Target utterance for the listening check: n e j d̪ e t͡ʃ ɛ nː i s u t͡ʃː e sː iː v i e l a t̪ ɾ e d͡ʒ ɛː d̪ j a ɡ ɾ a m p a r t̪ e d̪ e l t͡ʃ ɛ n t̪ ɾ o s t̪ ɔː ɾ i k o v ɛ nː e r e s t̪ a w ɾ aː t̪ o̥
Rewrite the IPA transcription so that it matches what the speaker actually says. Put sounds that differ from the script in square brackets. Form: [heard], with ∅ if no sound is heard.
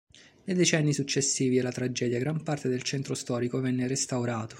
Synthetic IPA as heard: n e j d̪ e t͡ʃ ɛ nː i s u t͡ʃː e sː iː v i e l a t̪ ɾ [a] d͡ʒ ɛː d̪ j a ɡ ɾ a m p a r t̪ e d̪ e l t͡ʃ ɛ n t̪ ɾ o s t̪ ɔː ɾ i k o v ɛ nː e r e s t̪ a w ɾ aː t̪ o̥